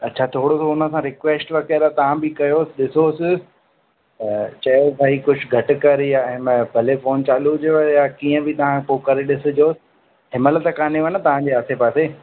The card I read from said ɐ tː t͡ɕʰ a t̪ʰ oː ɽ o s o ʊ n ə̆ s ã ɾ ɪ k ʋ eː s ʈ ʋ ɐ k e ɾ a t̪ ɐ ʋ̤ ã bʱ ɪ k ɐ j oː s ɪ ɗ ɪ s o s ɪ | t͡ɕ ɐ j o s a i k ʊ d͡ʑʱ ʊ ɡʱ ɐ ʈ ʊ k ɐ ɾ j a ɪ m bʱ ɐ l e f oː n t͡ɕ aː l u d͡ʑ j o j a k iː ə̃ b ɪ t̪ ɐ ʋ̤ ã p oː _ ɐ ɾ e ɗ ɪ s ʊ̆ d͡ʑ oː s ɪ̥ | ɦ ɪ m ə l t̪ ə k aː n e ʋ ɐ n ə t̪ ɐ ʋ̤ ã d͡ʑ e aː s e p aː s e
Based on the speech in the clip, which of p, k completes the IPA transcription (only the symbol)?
k